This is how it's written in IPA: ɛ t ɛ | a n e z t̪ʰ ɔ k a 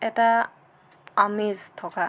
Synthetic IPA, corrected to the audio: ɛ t a | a m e z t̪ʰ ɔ k a